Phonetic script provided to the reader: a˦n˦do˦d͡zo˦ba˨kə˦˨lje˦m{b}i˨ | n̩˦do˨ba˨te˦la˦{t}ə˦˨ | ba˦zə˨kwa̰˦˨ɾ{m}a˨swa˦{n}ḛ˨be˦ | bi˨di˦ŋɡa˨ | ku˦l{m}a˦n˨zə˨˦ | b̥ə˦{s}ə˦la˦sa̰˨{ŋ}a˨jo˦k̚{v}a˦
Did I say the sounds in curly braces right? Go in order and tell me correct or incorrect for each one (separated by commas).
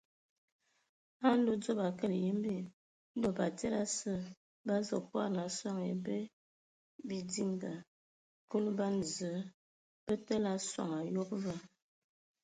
correct, incorrect, incorrect, incorrect, incorrect, incorrect, correct, correct